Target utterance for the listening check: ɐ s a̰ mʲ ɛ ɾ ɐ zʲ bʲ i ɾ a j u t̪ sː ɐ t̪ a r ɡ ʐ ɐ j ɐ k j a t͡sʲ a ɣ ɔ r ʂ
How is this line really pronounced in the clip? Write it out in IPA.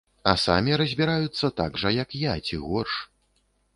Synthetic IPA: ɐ s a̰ mʲ i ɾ ɐ zʲ bʲ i ɾ a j u t̪ sː ɐ t̪ a ɡ ʐ ɐ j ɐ k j a t͡sʲ i ɣ ɔ r ʂ